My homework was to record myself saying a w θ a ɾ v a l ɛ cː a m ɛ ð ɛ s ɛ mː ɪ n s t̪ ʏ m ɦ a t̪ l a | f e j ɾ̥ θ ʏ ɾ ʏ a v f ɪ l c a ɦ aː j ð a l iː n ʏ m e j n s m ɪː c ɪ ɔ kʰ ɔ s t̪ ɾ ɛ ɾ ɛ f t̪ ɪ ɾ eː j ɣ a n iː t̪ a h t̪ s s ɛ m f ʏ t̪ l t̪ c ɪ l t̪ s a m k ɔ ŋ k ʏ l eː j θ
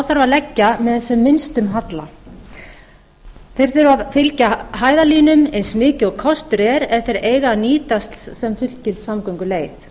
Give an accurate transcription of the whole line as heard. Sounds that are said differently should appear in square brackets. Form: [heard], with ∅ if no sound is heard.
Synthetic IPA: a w θ a ɾ v a l ɛ cː a m ɛ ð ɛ s ɛ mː ɪ n s t̪ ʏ m ɦ a t̪ l a | [θ] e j ɾ̥ θ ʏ ɾ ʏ a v f ɪ l c a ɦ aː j ð a l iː n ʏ m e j n s m ɪː c ɪ ɔ kʰ ɔ s t̪ ɾ ɛ ɾ ɛ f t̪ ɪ ɾ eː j ɣ a n iː t̪ a [s] t̪ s s ɛ m f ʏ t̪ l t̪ c ɪ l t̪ s a m k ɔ ŋ k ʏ l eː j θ